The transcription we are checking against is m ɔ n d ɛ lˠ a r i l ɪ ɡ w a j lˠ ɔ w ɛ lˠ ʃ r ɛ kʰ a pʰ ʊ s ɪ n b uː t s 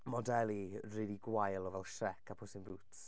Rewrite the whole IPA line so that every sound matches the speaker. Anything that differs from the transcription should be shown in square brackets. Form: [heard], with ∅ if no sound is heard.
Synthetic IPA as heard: m ɔ [∅] d ɛ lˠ [i] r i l [i] ɡ w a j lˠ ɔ [v] ɛ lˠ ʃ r ɛ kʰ a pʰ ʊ s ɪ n b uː t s